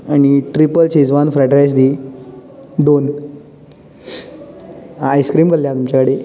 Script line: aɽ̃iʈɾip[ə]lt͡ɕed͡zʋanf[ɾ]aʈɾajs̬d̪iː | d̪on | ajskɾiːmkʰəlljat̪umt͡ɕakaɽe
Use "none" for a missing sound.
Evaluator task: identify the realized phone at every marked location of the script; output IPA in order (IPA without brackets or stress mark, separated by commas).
ə, ɾ